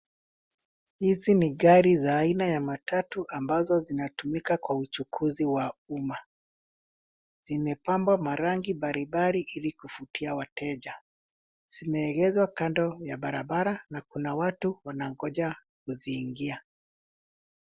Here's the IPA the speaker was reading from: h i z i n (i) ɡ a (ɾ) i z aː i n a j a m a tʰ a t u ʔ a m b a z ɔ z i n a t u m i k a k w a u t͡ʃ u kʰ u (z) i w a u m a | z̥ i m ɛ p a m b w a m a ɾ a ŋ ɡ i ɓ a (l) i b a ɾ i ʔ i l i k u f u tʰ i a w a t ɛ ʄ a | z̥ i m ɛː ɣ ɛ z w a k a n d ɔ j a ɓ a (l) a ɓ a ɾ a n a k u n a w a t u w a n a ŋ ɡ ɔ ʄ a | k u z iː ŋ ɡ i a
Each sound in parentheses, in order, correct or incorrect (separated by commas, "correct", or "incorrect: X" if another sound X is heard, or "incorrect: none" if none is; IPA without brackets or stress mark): correct, correct, correct, incorrect: ɾ, incorrect: ɾ